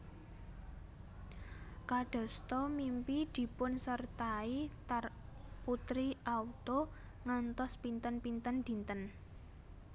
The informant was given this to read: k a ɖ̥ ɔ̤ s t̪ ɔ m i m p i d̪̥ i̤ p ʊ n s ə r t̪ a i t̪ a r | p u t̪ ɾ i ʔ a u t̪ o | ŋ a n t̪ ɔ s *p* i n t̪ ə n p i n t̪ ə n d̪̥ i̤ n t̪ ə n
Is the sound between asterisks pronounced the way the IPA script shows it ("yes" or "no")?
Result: yes